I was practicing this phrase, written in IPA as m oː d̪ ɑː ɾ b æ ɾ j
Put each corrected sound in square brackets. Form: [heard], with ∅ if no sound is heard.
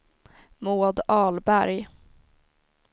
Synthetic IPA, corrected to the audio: m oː d̪ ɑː [l] b æ ɾ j